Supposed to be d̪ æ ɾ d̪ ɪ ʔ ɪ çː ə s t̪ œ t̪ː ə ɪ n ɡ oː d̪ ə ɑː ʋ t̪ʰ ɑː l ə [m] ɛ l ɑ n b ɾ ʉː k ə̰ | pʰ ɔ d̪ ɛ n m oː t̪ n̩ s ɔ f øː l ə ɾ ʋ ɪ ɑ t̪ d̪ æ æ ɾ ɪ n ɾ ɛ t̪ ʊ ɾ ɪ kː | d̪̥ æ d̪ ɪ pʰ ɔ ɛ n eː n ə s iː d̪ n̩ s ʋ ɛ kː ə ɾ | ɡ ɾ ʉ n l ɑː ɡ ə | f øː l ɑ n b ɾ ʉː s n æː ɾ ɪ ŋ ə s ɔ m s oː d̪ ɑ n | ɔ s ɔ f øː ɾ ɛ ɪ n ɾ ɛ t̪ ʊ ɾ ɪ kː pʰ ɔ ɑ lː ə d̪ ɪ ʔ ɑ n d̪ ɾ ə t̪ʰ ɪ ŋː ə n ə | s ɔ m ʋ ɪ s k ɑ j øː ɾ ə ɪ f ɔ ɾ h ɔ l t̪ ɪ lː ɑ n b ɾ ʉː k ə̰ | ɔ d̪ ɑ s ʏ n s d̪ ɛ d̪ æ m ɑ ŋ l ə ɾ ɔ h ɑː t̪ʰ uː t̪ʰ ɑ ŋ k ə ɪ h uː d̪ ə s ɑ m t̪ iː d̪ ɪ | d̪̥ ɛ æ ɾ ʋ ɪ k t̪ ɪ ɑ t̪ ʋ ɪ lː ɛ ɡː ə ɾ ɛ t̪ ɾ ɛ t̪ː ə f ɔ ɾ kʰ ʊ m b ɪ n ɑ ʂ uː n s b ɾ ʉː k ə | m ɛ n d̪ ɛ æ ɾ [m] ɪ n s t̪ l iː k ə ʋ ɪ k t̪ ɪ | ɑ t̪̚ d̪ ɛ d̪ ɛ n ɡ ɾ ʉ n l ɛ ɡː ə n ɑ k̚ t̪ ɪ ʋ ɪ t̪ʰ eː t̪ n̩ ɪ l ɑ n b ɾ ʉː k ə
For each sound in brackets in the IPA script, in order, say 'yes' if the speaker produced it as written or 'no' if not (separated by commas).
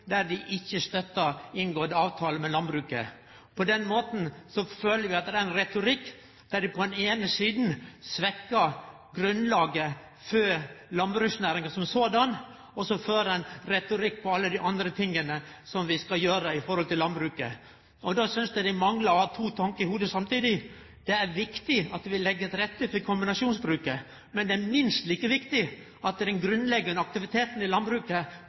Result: yes, yes